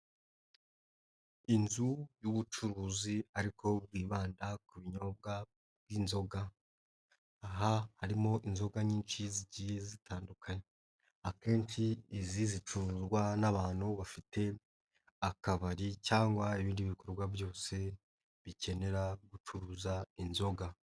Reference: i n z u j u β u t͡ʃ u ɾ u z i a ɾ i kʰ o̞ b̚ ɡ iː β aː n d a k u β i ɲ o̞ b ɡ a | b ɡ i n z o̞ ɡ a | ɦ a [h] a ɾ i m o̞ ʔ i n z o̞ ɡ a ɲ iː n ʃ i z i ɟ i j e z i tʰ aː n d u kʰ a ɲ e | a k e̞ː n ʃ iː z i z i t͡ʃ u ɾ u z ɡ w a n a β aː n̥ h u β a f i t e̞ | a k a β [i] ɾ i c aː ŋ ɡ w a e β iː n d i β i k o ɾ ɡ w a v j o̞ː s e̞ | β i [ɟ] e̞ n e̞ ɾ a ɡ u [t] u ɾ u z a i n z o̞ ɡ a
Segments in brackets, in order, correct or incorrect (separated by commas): correct, incorrect, incorrect, incorrect